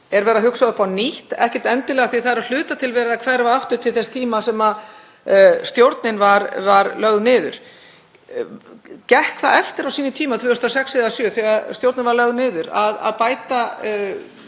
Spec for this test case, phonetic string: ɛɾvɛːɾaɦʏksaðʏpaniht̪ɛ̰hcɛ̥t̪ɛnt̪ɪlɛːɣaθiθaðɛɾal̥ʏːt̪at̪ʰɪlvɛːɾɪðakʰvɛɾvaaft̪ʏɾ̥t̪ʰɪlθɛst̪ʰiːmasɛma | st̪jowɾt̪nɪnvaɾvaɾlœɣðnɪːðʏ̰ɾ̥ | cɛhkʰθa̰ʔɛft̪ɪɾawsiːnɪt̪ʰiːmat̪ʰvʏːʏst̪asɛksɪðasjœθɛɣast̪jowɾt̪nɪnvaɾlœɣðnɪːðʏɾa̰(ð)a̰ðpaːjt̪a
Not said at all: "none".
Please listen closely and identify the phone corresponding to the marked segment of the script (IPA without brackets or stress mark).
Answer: ð